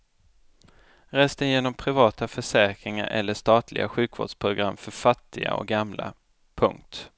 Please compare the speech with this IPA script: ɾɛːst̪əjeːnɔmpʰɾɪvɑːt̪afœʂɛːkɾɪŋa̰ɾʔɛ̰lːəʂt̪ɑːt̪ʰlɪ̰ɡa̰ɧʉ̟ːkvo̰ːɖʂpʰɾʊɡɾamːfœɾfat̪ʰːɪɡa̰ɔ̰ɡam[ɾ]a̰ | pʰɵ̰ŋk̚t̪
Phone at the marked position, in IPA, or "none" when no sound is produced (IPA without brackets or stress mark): l